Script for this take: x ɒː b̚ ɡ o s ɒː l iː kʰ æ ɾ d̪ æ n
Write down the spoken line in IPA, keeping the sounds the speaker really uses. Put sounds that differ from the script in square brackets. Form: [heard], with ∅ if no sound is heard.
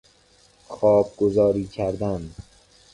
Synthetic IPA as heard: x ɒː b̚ ɡ o [z] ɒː [ɾ] iː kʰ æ ɾ d̪ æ n